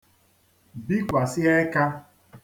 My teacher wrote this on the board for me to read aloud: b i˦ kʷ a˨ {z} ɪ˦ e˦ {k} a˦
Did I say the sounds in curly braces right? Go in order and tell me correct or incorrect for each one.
incorrect, correct

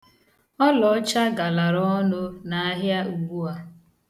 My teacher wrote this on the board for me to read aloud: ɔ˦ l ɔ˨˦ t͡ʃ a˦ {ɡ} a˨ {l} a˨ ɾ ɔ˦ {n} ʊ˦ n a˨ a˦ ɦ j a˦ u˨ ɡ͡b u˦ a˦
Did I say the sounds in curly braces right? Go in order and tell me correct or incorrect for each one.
correct, correct, correct

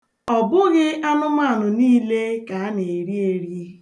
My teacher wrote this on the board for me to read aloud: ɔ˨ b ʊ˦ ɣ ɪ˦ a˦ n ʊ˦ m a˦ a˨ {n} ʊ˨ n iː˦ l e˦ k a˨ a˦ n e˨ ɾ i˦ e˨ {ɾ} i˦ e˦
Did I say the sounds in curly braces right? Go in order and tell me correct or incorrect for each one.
correct, correct

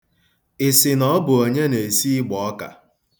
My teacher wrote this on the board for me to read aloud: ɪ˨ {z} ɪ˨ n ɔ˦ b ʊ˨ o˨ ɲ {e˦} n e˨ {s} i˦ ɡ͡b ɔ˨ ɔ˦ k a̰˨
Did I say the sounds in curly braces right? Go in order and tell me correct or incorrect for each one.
incorrect, correct, correct

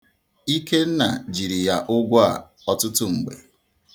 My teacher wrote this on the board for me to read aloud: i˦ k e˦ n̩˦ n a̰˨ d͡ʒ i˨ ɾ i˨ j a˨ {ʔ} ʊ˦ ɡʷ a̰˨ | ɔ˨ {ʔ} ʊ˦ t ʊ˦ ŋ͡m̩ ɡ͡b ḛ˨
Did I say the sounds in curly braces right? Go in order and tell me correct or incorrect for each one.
correct, incorrect

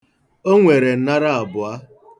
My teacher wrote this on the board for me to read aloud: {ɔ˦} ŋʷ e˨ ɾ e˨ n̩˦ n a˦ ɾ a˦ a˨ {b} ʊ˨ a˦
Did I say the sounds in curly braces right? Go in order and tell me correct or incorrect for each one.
incorrect, correct

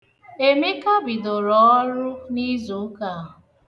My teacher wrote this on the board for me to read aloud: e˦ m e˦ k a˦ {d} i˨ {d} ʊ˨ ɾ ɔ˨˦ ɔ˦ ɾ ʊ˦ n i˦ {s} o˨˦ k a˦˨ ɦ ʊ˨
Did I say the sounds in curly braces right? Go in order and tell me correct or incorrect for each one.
incorrect, correct, incorrect

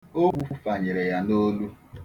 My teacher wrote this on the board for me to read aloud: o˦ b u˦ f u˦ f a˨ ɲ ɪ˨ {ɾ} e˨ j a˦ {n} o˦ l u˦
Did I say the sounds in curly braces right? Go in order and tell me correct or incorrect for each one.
correct, correct

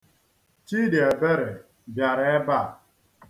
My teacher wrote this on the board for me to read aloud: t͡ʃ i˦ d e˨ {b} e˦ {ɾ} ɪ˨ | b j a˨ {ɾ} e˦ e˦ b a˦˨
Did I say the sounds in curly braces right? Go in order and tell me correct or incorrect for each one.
correct, correct, correct

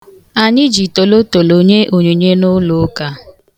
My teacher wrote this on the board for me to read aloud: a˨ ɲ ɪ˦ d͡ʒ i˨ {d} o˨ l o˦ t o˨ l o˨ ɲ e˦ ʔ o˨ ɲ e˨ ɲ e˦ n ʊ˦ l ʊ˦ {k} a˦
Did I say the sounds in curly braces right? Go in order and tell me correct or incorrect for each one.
incorrect, correct

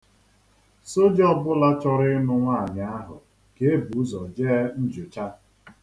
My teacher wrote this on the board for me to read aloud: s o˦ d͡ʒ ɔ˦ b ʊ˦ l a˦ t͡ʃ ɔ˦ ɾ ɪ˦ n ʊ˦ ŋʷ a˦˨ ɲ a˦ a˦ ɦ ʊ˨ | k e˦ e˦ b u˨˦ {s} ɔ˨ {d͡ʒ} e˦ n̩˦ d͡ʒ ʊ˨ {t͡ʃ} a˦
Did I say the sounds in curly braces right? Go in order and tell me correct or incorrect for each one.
incorrect, correct, correct

